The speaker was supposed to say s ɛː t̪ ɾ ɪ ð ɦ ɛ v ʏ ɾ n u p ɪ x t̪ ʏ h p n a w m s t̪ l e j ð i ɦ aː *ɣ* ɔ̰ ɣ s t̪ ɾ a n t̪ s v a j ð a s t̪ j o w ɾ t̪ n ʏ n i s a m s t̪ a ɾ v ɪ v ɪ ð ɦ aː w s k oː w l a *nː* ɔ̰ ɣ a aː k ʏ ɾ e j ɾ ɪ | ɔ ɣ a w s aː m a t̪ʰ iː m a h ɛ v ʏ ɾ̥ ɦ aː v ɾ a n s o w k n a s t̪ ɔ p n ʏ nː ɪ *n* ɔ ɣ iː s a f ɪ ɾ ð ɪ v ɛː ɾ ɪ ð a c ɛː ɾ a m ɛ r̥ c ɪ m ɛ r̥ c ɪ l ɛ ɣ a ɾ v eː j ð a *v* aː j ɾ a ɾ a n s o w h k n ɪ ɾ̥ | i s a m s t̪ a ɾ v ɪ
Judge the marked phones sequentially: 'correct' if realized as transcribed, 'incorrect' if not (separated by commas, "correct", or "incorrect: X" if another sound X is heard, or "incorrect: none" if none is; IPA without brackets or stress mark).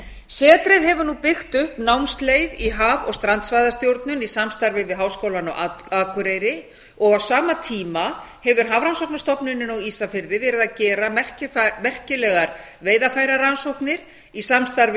incorrect: v, incorrect: n, correct, incorrect: f